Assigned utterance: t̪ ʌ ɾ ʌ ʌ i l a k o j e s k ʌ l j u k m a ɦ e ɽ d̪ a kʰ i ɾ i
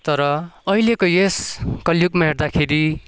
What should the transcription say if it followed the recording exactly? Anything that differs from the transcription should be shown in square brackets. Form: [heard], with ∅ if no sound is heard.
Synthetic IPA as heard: t̪ ʌ ɾ ʌ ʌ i l [e] k o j e s k ʌ l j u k m a ɦ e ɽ d̪ a kʰ [e] ɾ i